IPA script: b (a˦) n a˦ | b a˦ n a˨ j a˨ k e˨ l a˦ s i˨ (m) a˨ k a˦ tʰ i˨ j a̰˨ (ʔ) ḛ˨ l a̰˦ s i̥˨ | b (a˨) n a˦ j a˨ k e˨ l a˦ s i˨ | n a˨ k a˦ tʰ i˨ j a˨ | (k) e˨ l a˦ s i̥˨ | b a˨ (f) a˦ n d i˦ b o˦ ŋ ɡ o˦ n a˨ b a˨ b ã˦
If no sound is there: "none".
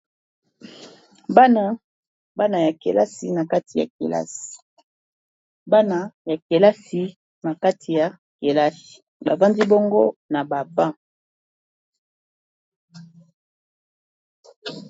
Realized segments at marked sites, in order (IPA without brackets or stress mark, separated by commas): a˦, n, k, a˦, k, v